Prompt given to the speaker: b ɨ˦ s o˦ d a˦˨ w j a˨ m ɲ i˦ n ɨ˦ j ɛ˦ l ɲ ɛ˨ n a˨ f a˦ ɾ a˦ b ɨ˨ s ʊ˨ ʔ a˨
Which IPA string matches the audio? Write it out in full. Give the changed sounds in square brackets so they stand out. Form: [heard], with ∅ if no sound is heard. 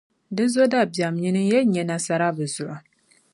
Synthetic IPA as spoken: [d] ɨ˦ [z] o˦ d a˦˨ [b] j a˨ m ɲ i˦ n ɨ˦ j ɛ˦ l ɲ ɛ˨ n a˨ [s] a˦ ɾ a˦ b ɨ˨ [z] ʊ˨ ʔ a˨

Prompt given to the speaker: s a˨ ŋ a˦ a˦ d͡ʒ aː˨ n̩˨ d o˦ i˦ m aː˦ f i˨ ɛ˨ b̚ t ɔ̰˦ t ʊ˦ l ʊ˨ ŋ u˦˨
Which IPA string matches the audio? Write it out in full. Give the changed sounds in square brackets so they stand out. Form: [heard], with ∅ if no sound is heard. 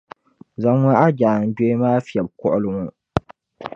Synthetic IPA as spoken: [z] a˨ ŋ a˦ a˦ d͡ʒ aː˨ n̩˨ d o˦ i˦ m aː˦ f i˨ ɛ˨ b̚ [k] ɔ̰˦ [ʔ] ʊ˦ l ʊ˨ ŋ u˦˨

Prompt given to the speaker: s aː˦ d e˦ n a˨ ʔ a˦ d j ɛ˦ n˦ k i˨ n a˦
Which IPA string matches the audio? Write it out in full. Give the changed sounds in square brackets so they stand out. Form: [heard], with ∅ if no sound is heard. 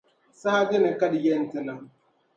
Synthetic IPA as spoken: s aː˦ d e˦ n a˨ [k] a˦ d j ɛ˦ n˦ [t] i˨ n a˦

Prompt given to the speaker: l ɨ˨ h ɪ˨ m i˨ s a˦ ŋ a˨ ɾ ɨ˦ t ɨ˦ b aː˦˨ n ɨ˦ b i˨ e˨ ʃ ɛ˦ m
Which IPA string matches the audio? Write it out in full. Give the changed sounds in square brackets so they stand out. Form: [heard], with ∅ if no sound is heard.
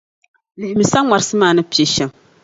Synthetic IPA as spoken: l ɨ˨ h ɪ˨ m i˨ s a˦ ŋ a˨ ɾ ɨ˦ [s] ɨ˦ [m] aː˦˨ n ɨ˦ [p] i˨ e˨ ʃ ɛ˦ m

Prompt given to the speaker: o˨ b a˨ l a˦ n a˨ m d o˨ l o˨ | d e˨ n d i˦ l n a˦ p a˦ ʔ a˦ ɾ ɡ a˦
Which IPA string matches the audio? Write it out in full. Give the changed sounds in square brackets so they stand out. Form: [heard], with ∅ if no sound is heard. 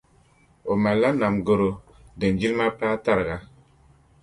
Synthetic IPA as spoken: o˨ [m] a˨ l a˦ n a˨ m [ɡ] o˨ [ɾ] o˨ | d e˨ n [d͡ʒ] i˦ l [m] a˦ p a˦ [t] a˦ ɾ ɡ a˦

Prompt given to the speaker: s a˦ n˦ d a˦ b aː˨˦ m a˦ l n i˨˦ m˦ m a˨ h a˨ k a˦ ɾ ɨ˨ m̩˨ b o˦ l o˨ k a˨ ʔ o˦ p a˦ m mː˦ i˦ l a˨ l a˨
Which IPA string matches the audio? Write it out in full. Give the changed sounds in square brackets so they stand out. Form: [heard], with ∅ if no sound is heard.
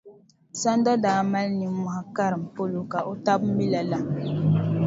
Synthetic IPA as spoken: s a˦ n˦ d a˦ [d] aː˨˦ m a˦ l n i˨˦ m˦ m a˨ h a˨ k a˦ ɾ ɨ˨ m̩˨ [p] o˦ l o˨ k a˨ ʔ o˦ [t] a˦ [b] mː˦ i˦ l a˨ l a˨

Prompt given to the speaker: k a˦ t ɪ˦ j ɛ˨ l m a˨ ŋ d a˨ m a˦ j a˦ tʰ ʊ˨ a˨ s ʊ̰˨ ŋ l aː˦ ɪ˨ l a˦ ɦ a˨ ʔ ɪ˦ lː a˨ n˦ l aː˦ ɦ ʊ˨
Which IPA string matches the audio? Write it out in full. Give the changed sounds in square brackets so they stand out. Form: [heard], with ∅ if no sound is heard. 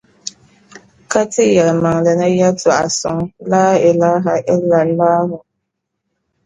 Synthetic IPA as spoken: k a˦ t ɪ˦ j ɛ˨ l m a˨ ŋ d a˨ [n] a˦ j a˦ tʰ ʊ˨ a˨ s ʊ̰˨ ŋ l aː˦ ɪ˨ l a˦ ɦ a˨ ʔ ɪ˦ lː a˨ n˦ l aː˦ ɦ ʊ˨

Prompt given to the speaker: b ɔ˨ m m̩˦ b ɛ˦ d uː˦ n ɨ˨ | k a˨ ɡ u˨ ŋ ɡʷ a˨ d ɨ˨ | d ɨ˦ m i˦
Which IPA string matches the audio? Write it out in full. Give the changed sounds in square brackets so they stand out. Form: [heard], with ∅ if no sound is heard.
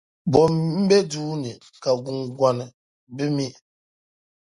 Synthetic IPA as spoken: b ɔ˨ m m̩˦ b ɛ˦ d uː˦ n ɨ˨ | k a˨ ɡ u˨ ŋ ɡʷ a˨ [n] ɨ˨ | [b] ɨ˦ m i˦

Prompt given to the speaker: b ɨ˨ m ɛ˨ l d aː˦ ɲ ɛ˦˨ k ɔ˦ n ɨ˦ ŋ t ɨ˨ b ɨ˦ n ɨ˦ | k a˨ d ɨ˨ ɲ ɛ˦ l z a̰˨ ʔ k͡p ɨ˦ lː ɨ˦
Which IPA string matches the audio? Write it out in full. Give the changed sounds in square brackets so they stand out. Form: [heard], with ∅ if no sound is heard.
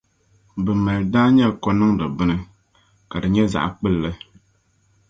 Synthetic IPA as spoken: b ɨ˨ m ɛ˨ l d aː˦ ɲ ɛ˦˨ k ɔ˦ n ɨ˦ ŋ [d] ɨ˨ b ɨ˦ n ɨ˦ | k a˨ d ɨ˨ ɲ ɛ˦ [∅] z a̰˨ ʔ k͡p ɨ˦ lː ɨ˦

